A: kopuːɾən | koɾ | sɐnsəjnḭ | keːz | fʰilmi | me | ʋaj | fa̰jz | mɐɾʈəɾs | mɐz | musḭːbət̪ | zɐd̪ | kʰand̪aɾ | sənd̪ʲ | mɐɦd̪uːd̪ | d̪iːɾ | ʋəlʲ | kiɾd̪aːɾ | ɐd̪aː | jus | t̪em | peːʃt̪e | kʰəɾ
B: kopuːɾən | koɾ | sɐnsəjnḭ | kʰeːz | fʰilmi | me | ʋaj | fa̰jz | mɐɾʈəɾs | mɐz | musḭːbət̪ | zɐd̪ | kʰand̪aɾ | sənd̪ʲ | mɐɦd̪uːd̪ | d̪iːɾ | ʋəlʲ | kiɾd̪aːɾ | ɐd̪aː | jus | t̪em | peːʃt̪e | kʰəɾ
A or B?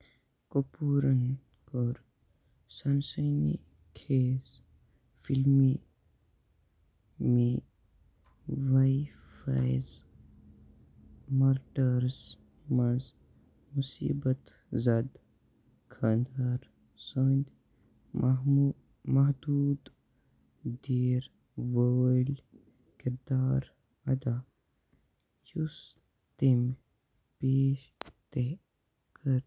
B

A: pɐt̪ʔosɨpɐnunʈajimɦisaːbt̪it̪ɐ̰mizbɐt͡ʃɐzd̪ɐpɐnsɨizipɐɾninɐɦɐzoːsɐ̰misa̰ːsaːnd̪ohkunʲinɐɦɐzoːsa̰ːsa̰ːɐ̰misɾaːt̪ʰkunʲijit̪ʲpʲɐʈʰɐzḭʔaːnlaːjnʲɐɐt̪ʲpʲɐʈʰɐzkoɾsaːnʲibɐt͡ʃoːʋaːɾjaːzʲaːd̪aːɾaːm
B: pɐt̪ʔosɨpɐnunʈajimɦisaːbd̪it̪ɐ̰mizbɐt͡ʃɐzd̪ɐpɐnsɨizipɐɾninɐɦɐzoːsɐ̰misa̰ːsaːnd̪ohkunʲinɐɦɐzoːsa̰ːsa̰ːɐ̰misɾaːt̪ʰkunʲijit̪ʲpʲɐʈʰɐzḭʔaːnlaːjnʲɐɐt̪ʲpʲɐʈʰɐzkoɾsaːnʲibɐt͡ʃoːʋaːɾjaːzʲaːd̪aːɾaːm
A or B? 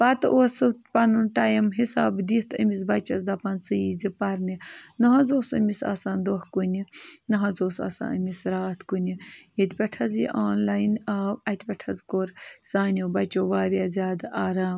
B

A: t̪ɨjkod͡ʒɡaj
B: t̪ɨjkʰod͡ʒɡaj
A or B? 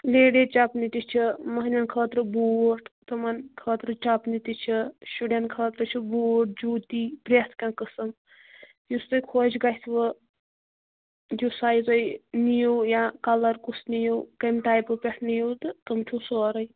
B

